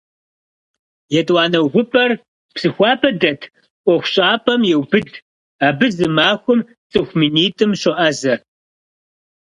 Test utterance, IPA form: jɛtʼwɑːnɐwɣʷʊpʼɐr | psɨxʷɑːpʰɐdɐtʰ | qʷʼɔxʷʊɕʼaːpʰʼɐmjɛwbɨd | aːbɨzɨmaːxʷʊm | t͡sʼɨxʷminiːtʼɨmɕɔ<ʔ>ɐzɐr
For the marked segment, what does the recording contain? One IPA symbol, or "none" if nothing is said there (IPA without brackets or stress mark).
ʔ